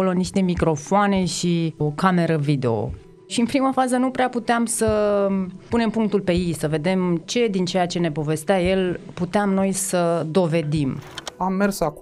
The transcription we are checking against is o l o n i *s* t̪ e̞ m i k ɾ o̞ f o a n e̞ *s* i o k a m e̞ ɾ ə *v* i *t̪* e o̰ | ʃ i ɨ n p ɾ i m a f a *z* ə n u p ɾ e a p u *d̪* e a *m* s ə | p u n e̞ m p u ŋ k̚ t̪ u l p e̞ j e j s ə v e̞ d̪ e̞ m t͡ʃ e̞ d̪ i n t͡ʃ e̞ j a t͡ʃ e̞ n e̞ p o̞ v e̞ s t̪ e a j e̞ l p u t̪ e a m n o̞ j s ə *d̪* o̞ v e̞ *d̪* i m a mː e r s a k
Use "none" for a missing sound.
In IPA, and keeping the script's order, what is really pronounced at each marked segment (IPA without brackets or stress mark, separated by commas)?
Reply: ʃ, ʃ, v, d̪, z, t̪, m, d̪, d̪